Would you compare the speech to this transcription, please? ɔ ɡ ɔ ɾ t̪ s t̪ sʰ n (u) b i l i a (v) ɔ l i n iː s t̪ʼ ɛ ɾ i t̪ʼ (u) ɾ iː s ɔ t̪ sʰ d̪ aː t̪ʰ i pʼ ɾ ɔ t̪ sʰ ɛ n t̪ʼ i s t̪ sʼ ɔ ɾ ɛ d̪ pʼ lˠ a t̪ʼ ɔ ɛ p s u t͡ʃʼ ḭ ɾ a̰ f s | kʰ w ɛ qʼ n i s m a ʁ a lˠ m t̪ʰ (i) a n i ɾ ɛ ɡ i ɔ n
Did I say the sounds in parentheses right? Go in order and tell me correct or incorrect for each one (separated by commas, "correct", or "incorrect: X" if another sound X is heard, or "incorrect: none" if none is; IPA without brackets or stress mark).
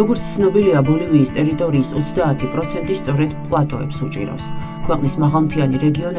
incorrect: ɔ, incorrect: b, incorrect: ɔ, correct